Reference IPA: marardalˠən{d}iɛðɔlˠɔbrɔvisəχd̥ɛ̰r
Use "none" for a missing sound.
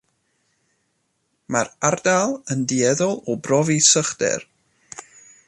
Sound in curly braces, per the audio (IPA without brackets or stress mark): d